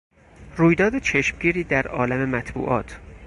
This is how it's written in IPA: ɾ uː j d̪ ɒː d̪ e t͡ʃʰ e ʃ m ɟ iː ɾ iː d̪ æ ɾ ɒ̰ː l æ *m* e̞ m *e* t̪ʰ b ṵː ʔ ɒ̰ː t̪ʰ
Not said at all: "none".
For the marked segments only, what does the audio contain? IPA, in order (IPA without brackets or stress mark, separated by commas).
m, æ